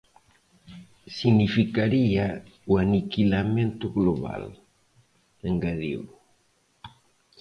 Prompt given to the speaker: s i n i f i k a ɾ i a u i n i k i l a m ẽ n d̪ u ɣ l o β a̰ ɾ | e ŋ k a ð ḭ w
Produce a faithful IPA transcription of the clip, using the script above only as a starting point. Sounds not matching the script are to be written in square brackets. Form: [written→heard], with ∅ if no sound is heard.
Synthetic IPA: s i n i f i k a ɾ i a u [i→a] n i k i l a m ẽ n [d̪→t̪] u ɣ l o β a̰ [ɾ→l] | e ŋ [k→ɡ] a ð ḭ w

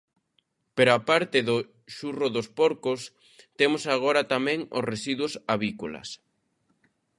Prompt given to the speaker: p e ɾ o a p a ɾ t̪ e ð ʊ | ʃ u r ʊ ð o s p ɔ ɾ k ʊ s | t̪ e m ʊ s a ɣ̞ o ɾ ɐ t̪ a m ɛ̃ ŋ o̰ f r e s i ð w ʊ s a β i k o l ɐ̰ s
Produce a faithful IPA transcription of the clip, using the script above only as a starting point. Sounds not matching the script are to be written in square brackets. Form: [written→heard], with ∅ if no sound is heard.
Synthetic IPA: p e ɾ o a p a ɾ t̪ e ð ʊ | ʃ u r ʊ ð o s p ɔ ɾ k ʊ s | t̪ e m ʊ s a ɣ̞ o ɾ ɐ t̪ a m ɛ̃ ŋ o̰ [f→s] r e s i ð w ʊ s a β i k o l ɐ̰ s

